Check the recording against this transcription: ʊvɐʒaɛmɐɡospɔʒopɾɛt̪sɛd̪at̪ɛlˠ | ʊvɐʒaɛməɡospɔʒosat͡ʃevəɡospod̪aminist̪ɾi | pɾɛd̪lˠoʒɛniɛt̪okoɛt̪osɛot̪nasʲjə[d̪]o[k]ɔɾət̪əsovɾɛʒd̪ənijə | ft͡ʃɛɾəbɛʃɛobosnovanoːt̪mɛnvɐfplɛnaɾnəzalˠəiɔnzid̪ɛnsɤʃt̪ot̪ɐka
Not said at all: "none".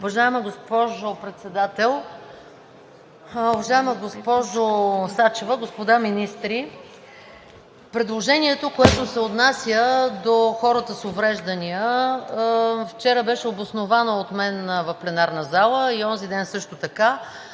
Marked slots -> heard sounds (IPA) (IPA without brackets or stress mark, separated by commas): d̪, x